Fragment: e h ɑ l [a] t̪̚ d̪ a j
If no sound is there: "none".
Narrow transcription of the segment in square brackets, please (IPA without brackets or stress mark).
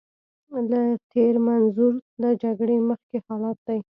ɑ